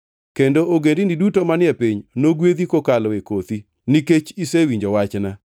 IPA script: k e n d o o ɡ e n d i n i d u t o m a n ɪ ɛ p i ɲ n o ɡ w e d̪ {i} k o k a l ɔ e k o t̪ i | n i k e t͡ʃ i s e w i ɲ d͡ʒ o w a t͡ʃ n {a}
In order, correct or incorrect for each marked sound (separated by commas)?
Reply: correct, correct